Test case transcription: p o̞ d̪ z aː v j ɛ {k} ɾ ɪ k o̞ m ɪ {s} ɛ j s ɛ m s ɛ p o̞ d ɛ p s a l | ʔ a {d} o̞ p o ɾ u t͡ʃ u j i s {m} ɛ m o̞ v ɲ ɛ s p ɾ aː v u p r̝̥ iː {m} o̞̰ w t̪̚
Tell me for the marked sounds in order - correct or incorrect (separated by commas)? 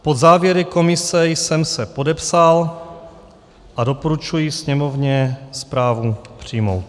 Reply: incorrect, correct, correct, incorrect, correct